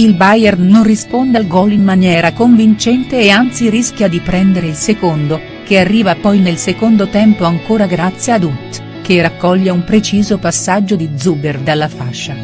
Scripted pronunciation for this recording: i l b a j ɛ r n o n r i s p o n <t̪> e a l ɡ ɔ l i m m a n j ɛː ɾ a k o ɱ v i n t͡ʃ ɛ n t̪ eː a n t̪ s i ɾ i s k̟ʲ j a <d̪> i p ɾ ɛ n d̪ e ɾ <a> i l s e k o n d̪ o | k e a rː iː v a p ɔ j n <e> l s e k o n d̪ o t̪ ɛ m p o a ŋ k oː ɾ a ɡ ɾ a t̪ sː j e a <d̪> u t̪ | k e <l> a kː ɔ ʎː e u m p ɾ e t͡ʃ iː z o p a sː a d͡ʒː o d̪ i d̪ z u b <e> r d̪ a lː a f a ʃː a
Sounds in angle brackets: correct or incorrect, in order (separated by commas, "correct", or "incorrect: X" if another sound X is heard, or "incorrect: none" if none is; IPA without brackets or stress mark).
incorrect: d̪, correct, incorrect: e, correct, correct, incorrect: r, correct